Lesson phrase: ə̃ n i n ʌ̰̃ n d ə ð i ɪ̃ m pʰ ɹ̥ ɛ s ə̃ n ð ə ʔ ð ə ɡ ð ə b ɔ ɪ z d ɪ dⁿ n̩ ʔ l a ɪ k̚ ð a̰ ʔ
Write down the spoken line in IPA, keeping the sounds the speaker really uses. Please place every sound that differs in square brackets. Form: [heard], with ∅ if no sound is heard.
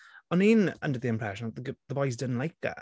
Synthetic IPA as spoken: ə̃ n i n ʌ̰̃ n d ə ð i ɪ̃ m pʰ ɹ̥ ɛ [ʃ] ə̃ n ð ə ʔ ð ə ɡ ð ə b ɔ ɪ z d ɪ dⁿ n̩ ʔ l a ɪ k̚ ð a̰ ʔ